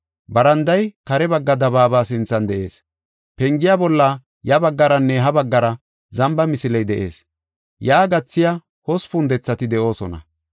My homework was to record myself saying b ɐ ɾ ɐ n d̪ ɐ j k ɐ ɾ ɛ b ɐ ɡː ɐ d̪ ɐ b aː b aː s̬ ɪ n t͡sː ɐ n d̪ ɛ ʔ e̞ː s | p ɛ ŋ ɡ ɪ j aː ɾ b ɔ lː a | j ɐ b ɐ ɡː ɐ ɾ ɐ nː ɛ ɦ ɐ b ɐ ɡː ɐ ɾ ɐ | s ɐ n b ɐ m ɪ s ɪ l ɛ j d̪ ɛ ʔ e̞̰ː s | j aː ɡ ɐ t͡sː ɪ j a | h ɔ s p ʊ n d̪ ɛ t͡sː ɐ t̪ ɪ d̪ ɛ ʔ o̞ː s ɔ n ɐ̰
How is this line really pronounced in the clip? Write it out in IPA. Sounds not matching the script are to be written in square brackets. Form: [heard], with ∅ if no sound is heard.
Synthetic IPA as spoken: b ɐ ɾ ɐ n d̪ ɐ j k ɐ ɾ ɛ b ɐ ɡː ɐ d̪ ɐ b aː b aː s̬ ɪ n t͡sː ɐ n d̪ ɛ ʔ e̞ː s | p ɛ ŋ ɡ ɪ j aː [∅] b ɔ lː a | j ɐ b ɐ ɡː ɐ ɾ ɐ nː ɛ ɦ ɐ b ɐ ɡː ɐ ɾ ɐ | [z] ɐ [m] b ɐ m ɪ s ɪ l ɛ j d̪ ɛ ʔ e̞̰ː s | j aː ɡ ɐ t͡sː ɪ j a | h ɔ s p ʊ n d̪ ɛ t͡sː ɐ t̪ ɪ d̪ ɛ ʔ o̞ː s ɔ n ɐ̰